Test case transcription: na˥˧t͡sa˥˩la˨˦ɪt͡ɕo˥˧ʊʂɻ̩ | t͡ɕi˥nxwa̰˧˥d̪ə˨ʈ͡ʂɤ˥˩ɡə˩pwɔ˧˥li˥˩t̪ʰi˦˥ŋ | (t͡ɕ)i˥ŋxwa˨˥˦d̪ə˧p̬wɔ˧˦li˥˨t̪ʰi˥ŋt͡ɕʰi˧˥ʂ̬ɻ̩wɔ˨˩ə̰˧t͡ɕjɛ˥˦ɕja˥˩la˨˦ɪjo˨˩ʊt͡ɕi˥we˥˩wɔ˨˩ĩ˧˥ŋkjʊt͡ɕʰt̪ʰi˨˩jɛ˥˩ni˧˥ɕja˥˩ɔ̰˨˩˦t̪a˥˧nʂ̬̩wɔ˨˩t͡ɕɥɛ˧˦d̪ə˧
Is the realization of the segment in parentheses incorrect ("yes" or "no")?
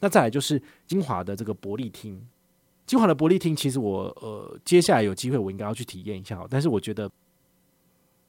no